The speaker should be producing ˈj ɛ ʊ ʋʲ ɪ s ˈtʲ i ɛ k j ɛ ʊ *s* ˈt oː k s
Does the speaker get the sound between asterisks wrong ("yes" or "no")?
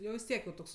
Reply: yes